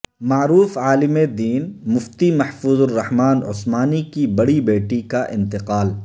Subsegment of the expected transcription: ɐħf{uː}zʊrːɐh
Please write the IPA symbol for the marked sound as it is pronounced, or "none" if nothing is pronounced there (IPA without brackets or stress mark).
uː